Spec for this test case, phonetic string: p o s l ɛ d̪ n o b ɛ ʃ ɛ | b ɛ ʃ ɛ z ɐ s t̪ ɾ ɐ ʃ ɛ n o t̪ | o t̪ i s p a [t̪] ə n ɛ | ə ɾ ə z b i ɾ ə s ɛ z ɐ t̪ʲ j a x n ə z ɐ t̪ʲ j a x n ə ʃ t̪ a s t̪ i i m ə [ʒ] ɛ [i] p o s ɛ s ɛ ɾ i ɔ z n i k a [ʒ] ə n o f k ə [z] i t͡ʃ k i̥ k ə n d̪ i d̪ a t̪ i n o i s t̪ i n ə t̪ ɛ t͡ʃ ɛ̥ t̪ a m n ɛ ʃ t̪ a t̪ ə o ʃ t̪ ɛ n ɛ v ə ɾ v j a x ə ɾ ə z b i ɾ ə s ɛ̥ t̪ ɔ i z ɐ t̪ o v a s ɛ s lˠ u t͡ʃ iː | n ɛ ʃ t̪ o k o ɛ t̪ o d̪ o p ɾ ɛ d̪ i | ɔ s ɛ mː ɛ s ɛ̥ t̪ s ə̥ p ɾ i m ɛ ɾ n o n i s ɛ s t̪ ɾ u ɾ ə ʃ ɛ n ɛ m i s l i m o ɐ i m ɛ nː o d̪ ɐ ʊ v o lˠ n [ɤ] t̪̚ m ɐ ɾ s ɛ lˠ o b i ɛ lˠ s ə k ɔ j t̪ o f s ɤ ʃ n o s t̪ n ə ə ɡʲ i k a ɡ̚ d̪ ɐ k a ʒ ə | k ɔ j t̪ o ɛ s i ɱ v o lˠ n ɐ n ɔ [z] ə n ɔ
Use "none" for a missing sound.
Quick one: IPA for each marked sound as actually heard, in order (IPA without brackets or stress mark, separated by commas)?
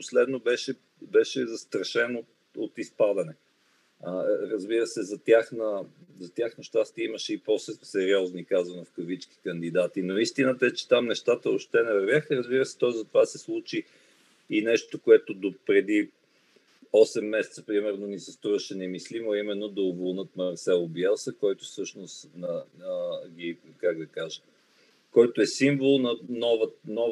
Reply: d̪, ʃ, i, z, v, ɤ, v